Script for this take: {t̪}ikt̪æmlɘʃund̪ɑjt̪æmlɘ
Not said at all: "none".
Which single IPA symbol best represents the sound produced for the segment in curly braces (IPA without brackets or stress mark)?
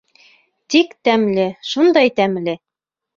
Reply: t̪